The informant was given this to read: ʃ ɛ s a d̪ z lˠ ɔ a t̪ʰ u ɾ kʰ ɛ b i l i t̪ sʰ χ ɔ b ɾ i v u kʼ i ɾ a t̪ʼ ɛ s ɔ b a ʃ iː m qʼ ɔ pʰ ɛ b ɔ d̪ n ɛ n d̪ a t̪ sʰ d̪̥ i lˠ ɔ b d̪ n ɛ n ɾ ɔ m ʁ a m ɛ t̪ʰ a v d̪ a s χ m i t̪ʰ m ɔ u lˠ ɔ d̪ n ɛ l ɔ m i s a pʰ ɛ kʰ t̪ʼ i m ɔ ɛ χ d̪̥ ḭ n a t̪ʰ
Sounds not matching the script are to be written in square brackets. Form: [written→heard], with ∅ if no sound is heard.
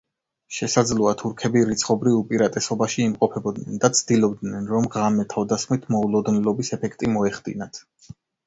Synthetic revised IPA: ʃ ɛ s a d̪ z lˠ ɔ a t̪ʰ u ɾ kʰ ɛ b i [l→ɾ] i t̪ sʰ χ ɔ b ɾ i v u [kʼ→pʼ] i ɾ a t̪ʼ ɛ s ɔ b a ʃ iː m qʼ ɔ pʰ ɛ b ɔ d̪ n ɛ n d̪ a t̪ sʰ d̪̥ i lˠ ɔ b d̪ n ɛ n ɾ ɔ m ʁ a m ɛ t̪ʰ a v d̪ a s χ m i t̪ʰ m ɔ u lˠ ɔ d̪ n ɛ l ɔ [m→b] i s [a→ɛ] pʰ ɛ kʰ t̪ʼ i m ɔ ɛ χ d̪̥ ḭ n a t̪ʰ

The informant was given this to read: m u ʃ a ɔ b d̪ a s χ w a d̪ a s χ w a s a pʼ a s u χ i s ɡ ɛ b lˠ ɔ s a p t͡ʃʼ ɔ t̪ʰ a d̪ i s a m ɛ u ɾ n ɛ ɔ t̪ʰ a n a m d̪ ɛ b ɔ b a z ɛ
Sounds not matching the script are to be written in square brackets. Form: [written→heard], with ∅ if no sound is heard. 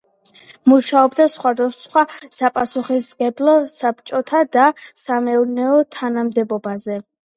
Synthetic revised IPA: m u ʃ a ɔ b d̪ a s χ w a d̪ a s χ w a s a pʼ a s u χ i s ɡ ɛ b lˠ ɔ s a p t͡ʃʼ ɔ t̪ʰ a d̪ [i→a] s a m ɛ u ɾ n ɛ ɔ t̪ʰ a n a m d̪ ɛ b ɔ b a z ɛ

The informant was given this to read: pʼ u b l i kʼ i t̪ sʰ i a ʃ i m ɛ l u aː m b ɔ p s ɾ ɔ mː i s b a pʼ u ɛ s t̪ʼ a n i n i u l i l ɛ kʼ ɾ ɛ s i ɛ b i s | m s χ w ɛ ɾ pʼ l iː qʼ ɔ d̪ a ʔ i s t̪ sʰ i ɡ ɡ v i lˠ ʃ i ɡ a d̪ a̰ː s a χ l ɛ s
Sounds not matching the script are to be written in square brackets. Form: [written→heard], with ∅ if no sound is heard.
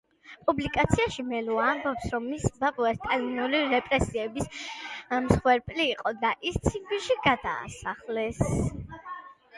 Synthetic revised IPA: pʼ u b l i kʼ [i→a] t̪ sʰ i a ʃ i m ɛ l u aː m b ɔ p s ɾ ɔ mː i s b a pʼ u ɛ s t̪ʼ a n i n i u l i [l→ɾ] ɛ [kʼ→pʼ] ɾ ɛ s i ɛ b i s | m s χ w ɛ ɾ pʼ l iː qʼ ɔ d̪ a ʔ i s t̪ sʰ i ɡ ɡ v i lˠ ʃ i ɡ a d̪ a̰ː s a χ l ɛ s

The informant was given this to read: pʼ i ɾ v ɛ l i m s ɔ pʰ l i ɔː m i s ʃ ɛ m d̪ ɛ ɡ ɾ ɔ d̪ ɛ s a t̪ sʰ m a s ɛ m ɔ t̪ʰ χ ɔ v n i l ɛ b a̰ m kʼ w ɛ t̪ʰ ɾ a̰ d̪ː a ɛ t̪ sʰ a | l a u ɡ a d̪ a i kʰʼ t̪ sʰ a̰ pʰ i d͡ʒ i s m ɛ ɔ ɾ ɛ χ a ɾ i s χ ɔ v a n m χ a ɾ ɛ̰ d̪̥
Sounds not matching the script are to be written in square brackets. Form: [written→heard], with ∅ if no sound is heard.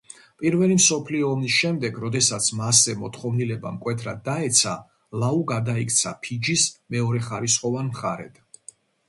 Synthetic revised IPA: pʼ i ɾ v ɛ l i m s ɔ pʰ l i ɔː m i s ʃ ɛ m d̪ ɛ ɡ ɾ ɔ d̪ ɛ s a t̪ sʰ m a s ɛ m ɔ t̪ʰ χ ɔ v n i l ɛ b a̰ m kʼ w ɛ t̪ʰ ɾ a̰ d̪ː a ɛ t̪ sʰ a | l a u ɡ a d̪ a i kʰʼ t̪ sʰ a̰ pʰ i d͡ʒ i s m ɛ ɔ ɾ ɛ χ a ɾ i s χ ɔ v a n m χ a ɾ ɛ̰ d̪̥

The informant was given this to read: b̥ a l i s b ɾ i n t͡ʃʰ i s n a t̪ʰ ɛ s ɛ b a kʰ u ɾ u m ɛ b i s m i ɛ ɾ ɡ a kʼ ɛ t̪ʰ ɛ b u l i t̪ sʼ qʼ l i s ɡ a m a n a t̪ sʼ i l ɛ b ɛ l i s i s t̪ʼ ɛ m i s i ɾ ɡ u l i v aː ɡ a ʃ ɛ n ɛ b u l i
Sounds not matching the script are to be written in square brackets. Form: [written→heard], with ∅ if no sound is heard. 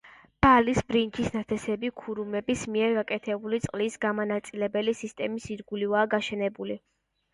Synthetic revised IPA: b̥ a l i s b ɾ i n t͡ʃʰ i s n a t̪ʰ ɛ s ɛ b [a→i] kʰ u ɾ u m ɛ b i s m i ɛ ɾ ɡ a kʼ ɛ t̪ʰ ɛ b u l i t̪ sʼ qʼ l i s ɡ a m a n a t̪ sʼ i l ɛ b ɛ l i s i s t̪ʼ ɛ m i s i ɾ ɡ u l i v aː ɡ a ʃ ɛ n ɛ b u l i

